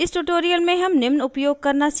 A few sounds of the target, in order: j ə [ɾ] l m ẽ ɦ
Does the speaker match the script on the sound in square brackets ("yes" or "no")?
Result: no